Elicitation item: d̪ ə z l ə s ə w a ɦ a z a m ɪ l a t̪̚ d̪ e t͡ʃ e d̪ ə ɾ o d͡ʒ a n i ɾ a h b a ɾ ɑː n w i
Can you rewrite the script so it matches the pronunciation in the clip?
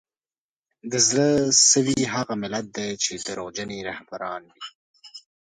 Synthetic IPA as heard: d̪ ə z l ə s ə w i ɦ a ɣ a m ɪ l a t̪̚ d̪ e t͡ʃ e d̪ ə ɾ o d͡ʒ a n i ɾ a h b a ɾ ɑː n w i